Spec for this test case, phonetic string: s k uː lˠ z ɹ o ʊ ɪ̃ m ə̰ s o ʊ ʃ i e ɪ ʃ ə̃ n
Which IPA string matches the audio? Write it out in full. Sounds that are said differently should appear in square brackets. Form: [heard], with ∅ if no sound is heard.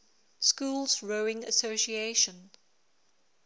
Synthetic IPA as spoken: s k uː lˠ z ɹ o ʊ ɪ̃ [ŋ] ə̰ s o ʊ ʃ i e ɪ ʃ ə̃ n